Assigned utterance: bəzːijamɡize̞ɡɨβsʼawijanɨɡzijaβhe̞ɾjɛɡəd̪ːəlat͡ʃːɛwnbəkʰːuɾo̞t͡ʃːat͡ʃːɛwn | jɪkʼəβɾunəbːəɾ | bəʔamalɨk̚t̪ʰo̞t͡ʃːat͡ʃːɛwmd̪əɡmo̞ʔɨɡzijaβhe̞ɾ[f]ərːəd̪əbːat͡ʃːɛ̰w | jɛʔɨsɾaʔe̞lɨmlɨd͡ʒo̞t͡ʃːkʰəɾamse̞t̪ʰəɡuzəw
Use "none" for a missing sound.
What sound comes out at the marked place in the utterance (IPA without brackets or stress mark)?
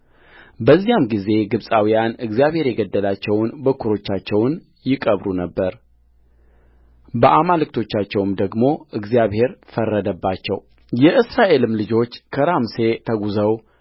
f